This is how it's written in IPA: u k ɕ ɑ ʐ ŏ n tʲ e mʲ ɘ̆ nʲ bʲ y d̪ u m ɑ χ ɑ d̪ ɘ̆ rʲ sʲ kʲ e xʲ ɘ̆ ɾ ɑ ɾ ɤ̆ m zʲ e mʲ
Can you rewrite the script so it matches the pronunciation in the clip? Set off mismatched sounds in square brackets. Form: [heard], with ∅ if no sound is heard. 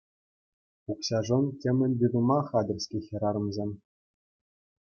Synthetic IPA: u k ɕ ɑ ʐ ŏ n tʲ e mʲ ɘ̆ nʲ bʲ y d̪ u m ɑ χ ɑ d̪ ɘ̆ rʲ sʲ kʲ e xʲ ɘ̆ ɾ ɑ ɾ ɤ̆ m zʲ e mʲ